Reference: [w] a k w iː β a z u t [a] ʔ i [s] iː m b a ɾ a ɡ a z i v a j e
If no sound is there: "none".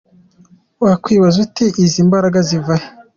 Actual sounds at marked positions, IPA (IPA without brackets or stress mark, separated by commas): w, i, z